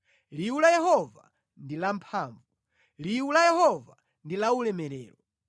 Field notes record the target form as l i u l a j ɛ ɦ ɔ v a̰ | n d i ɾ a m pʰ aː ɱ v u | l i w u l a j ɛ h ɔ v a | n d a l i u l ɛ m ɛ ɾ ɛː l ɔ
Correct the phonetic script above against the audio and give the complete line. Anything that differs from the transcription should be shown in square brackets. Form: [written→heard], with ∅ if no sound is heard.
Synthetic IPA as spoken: l i u l a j ɛ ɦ ɔ v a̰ | n d i [ɾ→l] a m pʰ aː ɱ v u | l i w u l a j ɛ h ɔ v a | n d [a→i] l [i→a] u l ɛ m ɛ ɾ ɛː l ɔ